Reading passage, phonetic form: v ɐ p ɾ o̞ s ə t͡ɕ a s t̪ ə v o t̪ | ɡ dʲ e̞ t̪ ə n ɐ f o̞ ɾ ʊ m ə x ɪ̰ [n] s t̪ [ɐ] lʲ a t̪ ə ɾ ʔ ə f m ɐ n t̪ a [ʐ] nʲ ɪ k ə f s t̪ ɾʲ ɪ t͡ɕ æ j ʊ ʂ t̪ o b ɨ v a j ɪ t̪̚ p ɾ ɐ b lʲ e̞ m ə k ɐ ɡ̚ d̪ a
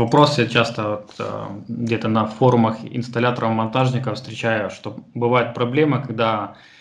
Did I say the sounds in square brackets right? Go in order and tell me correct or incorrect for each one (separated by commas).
correct, correct, correct